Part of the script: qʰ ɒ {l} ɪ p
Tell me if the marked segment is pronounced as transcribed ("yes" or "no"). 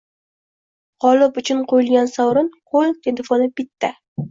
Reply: yes